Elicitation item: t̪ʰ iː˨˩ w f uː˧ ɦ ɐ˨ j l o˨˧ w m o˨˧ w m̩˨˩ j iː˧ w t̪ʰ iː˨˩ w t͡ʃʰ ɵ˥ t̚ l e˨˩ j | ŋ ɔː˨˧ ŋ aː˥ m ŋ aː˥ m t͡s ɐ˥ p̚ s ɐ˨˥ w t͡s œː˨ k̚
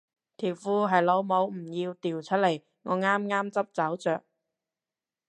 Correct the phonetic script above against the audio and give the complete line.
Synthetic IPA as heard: t̪ʰ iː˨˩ w f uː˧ ɦ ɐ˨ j l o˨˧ w m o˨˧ w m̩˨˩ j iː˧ w t̪ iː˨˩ w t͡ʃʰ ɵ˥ t̚ l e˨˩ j | ŋ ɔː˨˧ ŋ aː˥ m ŋ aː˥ m t͡s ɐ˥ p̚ t͡s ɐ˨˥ w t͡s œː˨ k̚